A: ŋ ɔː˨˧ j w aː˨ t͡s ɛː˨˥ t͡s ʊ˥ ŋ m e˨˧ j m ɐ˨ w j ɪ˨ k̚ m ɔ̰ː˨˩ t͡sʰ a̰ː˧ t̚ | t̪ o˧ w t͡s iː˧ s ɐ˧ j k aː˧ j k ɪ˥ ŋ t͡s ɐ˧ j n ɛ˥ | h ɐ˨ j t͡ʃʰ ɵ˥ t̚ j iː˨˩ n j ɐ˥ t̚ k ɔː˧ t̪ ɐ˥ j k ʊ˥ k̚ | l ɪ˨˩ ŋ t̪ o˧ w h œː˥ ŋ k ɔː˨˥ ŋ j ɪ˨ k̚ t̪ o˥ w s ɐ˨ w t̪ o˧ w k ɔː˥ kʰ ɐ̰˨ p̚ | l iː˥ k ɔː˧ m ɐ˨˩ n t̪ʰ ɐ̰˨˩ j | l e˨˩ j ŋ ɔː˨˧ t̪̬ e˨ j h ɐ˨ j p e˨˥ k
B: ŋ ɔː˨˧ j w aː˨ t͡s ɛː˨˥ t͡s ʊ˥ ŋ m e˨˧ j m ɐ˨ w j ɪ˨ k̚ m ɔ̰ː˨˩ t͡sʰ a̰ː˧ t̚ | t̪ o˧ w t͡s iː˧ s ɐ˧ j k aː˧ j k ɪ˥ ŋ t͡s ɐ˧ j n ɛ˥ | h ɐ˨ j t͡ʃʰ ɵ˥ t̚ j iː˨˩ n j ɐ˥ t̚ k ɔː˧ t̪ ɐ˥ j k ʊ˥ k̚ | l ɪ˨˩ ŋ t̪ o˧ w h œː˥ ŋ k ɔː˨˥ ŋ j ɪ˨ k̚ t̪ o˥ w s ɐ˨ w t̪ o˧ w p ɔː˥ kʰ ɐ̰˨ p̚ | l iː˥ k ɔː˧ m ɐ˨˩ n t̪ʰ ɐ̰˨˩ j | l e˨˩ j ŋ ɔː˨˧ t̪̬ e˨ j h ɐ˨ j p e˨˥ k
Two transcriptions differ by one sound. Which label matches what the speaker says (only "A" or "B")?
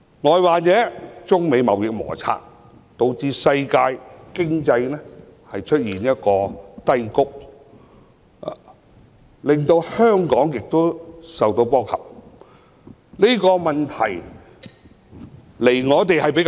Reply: B